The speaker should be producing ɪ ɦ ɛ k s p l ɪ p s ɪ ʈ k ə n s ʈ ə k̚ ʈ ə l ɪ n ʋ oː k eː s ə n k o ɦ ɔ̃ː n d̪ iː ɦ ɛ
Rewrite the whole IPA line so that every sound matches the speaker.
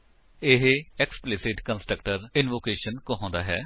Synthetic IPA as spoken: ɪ ɦ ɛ k s p l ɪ s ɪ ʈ k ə n s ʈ ə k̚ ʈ ə ɾ ɪ n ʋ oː k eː ʃ ə n k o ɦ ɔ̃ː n d̪ aː ɦ ɛː